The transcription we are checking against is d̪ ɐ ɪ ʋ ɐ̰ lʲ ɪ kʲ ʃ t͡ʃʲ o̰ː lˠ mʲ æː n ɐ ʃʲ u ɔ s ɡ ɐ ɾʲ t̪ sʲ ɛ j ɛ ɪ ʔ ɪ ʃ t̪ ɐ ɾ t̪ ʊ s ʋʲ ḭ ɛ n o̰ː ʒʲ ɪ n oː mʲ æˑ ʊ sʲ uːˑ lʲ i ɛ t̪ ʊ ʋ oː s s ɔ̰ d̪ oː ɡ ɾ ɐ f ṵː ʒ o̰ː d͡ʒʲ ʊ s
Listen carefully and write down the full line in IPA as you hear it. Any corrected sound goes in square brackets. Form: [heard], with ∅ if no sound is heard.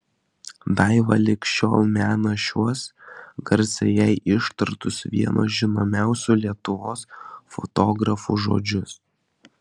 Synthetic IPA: d̪ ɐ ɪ ʋ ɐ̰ lʲ ɪ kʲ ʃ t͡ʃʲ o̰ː lˠ mʲ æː n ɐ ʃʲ u ɔ s ɡ ɐ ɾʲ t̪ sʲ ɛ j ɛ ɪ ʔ ɪ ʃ t̪ ɐ ɾ t̪ ʊ s ʋʲ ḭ ɛ n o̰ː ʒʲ ɪ n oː mʲ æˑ ʊ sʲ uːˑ lʲ i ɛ t̪ ʊ ʋ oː s [f] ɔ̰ [t̪] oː ɡ ɾ ɐ f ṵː ʒ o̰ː d͡ʒʲ ʊ s